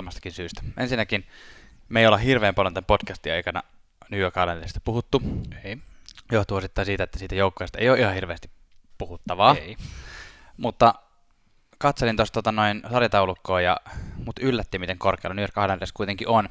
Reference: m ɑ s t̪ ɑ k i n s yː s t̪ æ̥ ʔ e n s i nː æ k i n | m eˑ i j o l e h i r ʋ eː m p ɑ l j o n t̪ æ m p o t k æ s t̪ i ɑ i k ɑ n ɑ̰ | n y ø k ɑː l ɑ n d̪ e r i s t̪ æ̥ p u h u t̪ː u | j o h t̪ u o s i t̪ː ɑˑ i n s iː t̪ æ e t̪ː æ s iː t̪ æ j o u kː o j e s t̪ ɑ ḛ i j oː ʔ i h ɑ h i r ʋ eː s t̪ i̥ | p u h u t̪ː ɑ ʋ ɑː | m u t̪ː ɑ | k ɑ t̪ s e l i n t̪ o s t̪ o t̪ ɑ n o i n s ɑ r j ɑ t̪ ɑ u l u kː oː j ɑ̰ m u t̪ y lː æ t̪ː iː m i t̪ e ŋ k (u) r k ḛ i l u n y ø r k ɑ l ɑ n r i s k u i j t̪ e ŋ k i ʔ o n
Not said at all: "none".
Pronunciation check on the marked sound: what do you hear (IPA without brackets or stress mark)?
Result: o